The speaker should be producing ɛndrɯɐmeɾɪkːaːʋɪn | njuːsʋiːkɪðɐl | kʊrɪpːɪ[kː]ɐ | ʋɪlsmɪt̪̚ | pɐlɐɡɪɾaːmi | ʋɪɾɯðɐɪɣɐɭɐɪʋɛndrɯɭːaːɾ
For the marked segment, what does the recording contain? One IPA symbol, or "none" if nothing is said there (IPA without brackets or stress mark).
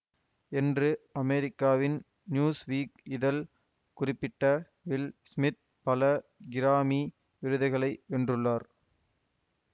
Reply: ʈː